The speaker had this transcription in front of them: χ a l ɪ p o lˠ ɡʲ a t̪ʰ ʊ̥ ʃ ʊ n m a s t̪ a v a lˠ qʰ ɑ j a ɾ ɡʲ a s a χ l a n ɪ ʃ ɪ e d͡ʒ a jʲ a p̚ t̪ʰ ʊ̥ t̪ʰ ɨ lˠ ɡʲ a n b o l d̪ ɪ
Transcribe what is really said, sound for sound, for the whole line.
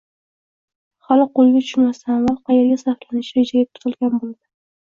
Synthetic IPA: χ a l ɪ q o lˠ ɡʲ a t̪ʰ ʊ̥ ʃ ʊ n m a s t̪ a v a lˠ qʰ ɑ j e ɾ ɡʲ a s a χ l a n ɪ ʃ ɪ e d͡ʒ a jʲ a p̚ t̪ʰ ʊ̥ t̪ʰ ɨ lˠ ɡʲ a n b o l d̪ ɪ